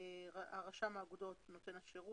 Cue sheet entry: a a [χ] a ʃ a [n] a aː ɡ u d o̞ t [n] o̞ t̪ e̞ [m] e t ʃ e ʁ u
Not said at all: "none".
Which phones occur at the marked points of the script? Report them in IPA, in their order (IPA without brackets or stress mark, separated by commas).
ʁ, m, n, n